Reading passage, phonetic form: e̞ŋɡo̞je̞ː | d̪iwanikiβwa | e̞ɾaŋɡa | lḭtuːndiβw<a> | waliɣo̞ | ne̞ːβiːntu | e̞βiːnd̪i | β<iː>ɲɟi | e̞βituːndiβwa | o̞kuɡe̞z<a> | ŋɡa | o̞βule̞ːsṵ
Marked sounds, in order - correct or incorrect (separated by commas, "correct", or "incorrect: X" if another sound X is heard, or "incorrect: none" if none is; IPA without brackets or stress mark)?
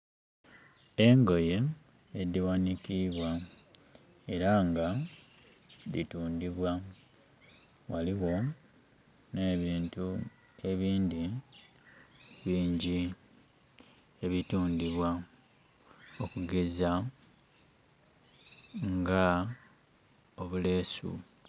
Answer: correct, correct, correct